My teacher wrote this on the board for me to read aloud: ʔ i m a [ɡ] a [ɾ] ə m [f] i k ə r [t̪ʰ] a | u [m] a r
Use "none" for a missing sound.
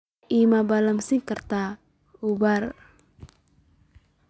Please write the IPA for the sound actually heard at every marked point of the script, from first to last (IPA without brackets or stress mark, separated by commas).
b, l, s, t̪, b